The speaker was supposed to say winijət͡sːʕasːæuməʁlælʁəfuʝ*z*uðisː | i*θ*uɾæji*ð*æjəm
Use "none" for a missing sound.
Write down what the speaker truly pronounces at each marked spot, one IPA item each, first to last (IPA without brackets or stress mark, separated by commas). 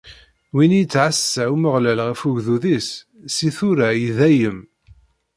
ð, θ, ð